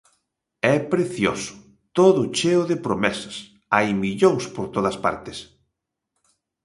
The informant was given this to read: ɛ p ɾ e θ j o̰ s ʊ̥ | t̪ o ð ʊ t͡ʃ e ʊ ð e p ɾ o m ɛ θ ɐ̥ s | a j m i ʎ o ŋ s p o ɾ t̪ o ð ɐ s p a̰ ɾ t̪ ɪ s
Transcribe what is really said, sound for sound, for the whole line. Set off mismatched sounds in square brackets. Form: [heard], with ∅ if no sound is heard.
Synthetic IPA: ɛ p ɾ e θ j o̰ s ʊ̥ | t̪ o ð ʊ t͡ʃ e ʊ ð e p ɾ o m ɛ [s] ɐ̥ s | a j m i ʎ o ŋ s p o ɾ t̪ o ð ɐ s p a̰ ɾ t̪ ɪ s